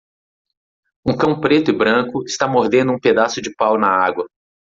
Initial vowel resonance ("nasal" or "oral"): nasal